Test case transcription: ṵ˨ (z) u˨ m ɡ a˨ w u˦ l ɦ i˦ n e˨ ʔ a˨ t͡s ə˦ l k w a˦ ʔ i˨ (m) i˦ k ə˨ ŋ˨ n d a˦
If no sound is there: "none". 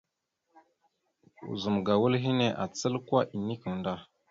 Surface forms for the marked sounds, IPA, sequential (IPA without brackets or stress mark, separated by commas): z, n